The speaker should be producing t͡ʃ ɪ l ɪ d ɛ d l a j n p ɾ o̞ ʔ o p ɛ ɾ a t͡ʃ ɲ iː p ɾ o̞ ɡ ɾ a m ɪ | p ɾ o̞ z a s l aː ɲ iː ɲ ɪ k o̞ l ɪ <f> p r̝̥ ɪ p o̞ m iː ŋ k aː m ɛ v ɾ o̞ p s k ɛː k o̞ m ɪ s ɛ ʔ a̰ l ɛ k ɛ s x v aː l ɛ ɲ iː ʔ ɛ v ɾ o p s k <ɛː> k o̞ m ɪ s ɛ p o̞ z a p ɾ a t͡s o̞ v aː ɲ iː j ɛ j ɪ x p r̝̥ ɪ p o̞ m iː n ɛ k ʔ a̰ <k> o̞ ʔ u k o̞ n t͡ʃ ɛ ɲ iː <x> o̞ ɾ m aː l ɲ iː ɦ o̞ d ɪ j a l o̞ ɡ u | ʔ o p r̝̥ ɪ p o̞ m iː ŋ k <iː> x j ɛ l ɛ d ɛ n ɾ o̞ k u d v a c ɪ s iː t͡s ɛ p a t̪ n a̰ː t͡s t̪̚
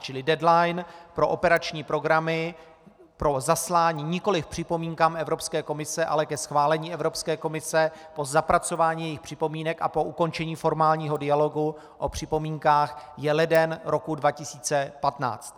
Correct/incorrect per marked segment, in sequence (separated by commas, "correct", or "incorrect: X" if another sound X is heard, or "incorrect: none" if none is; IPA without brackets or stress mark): correct, correct, incorrect: p, incorrect: f, incorrect: aː